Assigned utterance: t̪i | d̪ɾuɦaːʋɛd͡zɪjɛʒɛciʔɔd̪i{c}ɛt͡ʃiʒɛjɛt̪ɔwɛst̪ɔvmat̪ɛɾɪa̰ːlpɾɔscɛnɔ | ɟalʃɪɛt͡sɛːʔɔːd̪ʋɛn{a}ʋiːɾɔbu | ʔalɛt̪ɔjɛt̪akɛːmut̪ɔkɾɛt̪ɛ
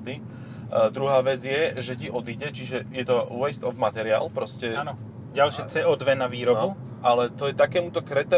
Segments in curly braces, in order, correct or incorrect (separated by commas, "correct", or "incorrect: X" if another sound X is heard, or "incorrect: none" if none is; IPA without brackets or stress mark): incorrect: ɟ, correct